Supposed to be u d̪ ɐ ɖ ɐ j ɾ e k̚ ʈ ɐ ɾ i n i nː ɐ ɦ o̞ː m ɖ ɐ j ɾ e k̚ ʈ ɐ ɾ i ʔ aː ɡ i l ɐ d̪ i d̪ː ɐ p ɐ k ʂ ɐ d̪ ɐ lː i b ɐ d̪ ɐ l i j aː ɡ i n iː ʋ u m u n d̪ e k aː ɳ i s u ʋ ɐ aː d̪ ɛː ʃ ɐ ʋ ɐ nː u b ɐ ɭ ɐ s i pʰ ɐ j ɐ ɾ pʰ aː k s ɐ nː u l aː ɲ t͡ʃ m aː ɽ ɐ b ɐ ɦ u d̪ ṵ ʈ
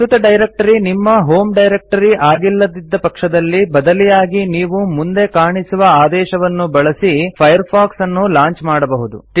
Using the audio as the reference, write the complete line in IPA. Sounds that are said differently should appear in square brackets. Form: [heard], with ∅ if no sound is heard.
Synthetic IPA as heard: u [t̪] ɐ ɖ ɐ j ɾ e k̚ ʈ ɐ ɾ i n i [mː] ɐ ɦ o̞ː m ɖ ɐ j ɾ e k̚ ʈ ɐ ɾ i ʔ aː ɡ i [lː] ɐ d̪ i d̪ː ɐ p ɐ k ʂ ɐ d̪ ɐ lː i b ɐ d̪ ɐ l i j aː ɡ i n iː ʋ u m u n d̪ e k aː ɳ i s u ʋ ɐ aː d̪ ɛː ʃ ɐ ʋ ɐ nː u b ɐ ɭ ɐ s i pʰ ɐ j ɐ ɾ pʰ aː k s ɐ nː u l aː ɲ t͡ʃ m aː ɽ ɐ b ɐ ɦ u d̪ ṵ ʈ